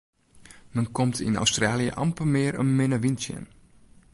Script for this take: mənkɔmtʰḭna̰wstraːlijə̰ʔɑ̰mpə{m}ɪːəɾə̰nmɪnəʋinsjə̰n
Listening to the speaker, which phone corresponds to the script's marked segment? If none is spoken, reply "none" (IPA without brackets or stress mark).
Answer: m